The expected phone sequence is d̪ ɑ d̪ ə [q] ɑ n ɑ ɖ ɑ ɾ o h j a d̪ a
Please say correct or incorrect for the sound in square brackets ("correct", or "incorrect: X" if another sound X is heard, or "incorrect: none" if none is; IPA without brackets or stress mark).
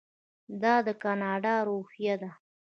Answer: incorrect: k